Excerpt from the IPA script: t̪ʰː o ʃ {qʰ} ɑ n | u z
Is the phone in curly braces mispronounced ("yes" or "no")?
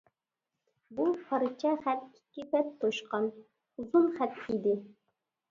yes